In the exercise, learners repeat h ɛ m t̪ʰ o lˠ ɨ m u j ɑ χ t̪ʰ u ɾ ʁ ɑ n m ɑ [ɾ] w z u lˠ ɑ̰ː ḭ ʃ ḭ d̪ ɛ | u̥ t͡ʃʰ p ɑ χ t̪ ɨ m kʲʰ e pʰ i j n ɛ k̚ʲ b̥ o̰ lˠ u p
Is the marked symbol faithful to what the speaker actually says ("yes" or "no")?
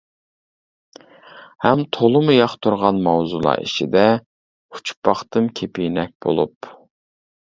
no